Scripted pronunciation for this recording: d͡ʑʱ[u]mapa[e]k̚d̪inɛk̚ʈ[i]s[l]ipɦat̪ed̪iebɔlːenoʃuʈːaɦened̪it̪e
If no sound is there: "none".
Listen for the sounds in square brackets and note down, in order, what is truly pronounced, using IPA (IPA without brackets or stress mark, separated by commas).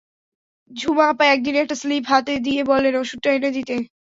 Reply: u, ɛ, a, l